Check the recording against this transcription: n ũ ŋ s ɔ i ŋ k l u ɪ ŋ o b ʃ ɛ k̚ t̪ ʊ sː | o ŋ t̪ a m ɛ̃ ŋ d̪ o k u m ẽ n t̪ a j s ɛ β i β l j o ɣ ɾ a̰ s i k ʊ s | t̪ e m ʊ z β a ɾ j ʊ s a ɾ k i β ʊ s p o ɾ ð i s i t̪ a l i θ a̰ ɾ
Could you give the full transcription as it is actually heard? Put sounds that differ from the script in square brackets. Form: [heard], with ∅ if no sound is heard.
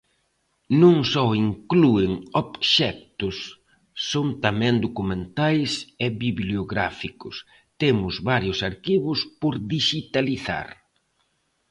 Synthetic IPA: n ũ ŋ s ɔ i ŋ k l u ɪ ŋ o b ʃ ɛ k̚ t̪ ʊ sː | o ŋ t̪ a m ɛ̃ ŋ d̪ o k u m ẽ n t̪ a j s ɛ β i β l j o ɣ ɾ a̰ [f] i k ʊ s | t̪ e m ʊ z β a ɾ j ʊ s a ɾ k i β ʊ s p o ɾ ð i [ʃ] i t̪ a l i θ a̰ ɾ